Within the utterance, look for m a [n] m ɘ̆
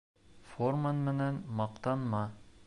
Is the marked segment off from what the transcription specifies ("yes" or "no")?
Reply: no